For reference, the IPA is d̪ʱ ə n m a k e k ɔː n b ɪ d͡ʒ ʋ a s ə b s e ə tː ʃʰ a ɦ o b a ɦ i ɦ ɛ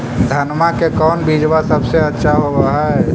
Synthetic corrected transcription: d̪ʱ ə n m a k e k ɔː n b i d͡ʒ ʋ a s ə b s e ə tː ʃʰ a ɦ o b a ɦ a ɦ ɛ